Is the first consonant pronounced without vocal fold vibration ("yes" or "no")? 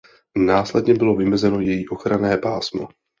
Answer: no